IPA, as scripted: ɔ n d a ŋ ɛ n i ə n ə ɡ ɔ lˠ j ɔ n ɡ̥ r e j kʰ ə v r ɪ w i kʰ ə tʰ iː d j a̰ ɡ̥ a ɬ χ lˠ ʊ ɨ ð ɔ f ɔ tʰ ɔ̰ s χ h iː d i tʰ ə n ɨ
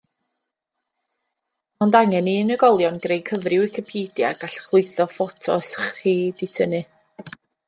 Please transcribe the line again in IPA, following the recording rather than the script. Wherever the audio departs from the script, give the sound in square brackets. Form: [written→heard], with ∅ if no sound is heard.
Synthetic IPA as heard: ɔ n d a ŋ ɛ n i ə n ə ɡ ɔ lˠ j ɔ n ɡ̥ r e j kʰ ə v r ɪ w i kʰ ə [tʰ→pʰ] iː d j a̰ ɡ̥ a ɬ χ lˠ ʊ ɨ [ð→θ] ɔ f ɔ tʰ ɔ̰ s χ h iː d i tʰ ə n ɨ